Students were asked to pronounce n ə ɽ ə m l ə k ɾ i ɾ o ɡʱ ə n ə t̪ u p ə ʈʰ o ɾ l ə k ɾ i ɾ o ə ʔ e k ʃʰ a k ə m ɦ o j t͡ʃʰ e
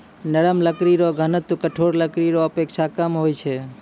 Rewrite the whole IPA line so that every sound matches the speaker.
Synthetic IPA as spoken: n ə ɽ ə m l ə k ɾ i ɾ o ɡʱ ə n ə t̪ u k ə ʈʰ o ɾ l ə k ɾ i ɾ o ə p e k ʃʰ a k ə m ɦ o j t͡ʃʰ e